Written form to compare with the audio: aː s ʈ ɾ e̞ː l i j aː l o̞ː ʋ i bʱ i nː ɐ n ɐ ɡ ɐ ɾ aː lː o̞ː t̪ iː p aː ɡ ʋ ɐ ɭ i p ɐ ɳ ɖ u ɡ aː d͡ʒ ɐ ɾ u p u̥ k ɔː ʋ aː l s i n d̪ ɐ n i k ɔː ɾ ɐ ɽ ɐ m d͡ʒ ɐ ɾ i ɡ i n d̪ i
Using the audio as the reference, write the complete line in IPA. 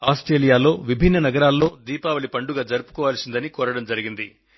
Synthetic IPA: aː s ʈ ɾ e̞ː l i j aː l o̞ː ʋ i bʱ i nː ɐ n ɐ ɡ ɐ ɾ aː lː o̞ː d̪ iː p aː ʋ ɐ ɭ i p ɐ ɳ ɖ u ɡ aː d͡ʒ ɐ ɾ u p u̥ k ɔː ʋ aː l s i n d̪ ɐ n i k ɔː ɾ ɐ ɽ ɐ m d͡ʒ ɐ ɾ i ɡ i n d̪ i

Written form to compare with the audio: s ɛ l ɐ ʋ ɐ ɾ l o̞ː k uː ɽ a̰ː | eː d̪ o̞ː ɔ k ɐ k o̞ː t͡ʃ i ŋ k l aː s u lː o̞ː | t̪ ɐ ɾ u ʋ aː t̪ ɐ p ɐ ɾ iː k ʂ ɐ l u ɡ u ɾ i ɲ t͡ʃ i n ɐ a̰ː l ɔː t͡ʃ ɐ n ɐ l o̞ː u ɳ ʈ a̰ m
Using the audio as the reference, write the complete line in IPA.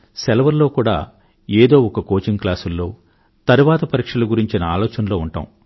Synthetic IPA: s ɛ l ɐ ʋ ɐ ɾ l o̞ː k uː ɽ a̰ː | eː d̪ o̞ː ɔ k ɐ k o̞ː t͡ʃ i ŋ k l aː s u lː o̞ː | t̪ ɐ ɾ u ʋ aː t̪ ɐ p ɐ ɾ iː k ʂ ɐ l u ɡ u ɾ i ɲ t͡ʃ i n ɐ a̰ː l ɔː t͡ʃ ɐ n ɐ l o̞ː u ɳ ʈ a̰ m

